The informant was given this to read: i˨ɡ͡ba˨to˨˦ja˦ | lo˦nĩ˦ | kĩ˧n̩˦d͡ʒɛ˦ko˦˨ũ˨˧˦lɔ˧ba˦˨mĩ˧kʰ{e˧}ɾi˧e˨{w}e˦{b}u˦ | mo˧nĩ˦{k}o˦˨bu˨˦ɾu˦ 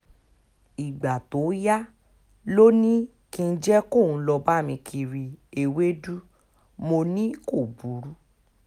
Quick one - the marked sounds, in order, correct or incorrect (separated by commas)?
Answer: incorrect, correct, incorrect, correct